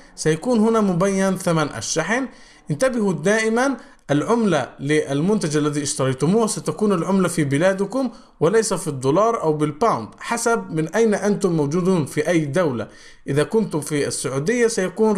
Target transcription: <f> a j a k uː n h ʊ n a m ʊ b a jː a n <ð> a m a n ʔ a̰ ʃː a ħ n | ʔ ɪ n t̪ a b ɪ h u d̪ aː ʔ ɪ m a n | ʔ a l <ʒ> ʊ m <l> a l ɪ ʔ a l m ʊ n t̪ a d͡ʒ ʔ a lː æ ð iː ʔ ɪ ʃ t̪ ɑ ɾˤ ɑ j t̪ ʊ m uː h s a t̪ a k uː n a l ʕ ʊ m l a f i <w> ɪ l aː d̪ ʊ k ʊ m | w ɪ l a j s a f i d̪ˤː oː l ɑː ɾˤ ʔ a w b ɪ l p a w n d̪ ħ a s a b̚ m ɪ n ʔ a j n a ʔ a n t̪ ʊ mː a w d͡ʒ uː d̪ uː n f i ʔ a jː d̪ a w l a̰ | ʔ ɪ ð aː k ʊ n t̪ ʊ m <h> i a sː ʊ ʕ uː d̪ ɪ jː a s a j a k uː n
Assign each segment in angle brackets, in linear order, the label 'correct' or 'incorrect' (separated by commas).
incorrect, incorrect, incorrect, correct, incorrect, incorrect